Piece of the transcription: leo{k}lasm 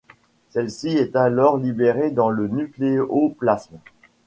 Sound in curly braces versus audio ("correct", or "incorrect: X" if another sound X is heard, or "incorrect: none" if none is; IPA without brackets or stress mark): incorrect: p